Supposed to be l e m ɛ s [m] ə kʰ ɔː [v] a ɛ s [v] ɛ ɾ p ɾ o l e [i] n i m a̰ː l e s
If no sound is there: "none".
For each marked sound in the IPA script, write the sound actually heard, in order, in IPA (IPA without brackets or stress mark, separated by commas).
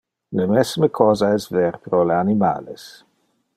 m, z, v, a